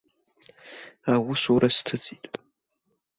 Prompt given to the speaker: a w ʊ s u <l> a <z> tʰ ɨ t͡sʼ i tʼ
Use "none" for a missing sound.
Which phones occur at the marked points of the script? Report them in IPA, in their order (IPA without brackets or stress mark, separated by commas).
ɾ, s